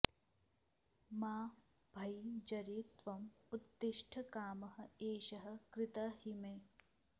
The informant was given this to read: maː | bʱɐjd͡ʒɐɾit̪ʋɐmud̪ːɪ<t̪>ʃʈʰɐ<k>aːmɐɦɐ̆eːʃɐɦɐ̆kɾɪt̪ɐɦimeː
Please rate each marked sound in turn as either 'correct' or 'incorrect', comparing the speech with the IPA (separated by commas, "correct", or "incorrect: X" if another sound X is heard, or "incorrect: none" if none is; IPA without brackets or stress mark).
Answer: incorrect: none, correct